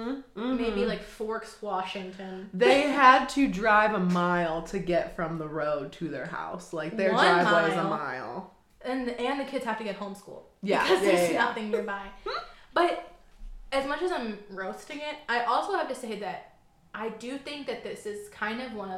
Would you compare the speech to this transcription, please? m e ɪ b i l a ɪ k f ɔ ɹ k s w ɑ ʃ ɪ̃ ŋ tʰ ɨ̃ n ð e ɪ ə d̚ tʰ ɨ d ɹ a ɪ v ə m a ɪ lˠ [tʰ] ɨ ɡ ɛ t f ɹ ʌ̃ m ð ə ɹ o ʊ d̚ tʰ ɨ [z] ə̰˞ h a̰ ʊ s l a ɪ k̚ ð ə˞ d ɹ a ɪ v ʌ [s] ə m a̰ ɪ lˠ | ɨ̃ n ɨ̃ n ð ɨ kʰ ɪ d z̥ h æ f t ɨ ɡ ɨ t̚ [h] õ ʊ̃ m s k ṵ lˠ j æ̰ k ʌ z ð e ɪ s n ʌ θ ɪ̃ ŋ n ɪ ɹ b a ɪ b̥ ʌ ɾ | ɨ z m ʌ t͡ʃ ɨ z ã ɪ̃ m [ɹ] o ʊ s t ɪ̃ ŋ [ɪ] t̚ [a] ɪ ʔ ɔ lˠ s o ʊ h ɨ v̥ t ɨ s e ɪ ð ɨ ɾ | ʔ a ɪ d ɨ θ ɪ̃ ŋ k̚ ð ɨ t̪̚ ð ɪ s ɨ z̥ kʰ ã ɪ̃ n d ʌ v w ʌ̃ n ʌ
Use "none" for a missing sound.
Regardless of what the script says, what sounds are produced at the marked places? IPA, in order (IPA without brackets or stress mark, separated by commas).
tʰ, ð, z, h, ɹ, ɪ, a